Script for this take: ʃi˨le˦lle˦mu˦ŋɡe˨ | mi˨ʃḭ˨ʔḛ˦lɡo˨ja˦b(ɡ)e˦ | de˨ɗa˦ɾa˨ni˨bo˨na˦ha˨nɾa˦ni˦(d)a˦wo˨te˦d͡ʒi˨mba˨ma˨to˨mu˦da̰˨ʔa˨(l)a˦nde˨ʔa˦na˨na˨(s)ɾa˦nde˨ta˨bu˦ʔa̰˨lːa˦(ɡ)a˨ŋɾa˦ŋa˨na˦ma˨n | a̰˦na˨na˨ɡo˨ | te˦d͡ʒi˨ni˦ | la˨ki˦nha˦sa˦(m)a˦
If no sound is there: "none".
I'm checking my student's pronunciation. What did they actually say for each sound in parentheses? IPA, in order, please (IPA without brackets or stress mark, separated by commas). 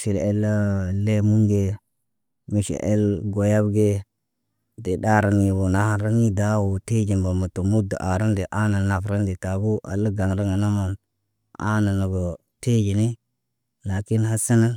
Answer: ɡ, d, ɾ, f, ɡ, n